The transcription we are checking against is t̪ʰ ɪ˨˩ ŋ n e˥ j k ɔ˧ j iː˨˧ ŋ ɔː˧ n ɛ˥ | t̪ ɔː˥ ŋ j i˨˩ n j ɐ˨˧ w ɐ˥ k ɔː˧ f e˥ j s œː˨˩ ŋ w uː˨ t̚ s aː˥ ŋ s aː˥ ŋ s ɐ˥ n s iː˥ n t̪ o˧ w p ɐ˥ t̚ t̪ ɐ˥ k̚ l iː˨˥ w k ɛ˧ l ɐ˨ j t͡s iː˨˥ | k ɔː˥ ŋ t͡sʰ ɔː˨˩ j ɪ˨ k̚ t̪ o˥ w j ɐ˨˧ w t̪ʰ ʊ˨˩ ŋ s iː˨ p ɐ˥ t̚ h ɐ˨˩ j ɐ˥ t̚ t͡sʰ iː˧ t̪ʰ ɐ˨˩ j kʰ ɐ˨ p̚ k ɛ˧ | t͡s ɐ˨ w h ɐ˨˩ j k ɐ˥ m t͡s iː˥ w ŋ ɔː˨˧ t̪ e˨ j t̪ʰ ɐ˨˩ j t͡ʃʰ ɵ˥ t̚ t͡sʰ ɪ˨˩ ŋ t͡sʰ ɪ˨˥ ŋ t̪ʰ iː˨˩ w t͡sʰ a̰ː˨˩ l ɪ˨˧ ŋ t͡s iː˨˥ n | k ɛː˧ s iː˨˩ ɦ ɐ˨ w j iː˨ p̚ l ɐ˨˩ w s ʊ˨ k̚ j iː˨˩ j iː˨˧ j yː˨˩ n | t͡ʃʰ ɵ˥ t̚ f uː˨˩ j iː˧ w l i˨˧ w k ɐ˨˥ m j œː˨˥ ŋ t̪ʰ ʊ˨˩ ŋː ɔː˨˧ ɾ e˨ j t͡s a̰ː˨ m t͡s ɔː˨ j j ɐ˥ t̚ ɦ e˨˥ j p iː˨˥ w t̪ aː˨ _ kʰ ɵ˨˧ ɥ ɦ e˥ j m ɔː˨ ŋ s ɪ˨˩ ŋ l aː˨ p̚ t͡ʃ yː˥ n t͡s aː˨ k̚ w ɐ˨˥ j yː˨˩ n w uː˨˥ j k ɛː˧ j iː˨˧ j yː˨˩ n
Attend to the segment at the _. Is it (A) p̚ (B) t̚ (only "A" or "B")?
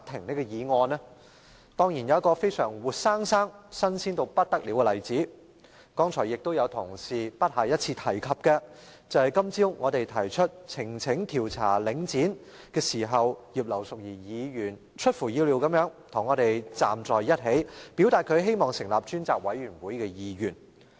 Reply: B